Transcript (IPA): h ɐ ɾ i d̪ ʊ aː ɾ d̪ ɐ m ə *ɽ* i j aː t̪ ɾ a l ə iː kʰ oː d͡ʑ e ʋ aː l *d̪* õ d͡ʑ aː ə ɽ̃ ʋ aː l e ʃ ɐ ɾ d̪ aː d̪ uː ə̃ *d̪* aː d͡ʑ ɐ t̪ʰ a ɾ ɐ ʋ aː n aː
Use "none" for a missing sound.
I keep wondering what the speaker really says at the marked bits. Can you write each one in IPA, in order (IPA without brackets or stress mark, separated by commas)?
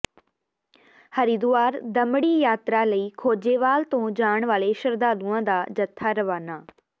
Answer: ɽ, t̪, d̪